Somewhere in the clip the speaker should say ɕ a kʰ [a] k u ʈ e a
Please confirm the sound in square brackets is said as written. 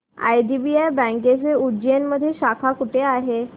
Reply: yes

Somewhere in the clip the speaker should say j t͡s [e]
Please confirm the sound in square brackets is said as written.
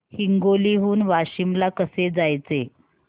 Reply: yes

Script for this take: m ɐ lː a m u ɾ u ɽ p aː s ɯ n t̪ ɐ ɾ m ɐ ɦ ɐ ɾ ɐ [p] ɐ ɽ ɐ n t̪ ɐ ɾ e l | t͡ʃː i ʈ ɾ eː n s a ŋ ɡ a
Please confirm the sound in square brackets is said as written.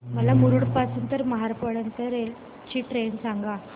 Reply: yes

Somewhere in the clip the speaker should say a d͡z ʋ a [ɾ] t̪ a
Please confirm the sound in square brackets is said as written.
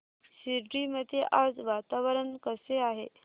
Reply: no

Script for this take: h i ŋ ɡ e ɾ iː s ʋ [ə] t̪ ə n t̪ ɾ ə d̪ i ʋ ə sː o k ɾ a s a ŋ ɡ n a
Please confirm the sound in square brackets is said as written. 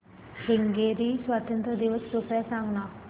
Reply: no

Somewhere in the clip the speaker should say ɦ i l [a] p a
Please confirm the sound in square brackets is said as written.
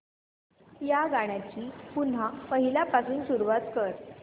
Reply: yes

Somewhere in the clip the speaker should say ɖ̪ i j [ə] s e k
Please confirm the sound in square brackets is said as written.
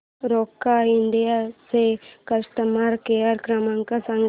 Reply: no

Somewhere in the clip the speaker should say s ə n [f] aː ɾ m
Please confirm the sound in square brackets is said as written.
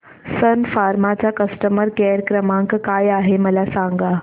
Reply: yes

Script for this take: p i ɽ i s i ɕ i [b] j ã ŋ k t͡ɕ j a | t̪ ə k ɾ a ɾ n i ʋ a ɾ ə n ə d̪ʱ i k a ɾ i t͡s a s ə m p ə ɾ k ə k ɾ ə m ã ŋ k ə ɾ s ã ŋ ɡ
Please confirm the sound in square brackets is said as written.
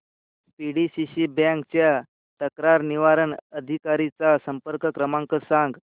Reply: yes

